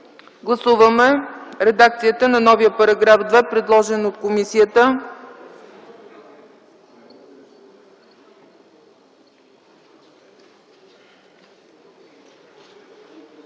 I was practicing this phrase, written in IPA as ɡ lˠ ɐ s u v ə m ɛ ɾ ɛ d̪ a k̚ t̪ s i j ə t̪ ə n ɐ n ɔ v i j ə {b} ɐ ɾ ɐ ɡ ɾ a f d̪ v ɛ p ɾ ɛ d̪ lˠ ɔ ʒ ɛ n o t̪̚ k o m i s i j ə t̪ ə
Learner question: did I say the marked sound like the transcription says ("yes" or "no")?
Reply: no